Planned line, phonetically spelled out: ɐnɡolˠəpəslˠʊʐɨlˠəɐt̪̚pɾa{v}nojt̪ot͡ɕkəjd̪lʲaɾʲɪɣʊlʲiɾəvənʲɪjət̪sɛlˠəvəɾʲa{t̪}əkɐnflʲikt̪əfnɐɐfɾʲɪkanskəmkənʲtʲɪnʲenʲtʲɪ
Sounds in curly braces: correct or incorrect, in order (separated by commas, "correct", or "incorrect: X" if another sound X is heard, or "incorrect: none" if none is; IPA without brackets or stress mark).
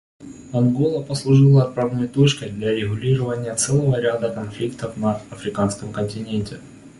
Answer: correct, incorrect: d̪